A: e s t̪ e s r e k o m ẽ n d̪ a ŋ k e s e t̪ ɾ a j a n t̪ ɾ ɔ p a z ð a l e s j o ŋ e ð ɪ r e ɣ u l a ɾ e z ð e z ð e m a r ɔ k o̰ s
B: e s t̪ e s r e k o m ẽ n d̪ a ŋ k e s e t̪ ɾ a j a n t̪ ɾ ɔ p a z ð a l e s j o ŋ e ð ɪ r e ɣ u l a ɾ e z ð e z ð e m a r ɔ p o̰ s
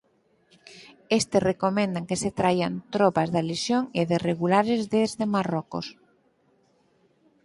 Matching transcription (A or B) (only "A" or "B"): A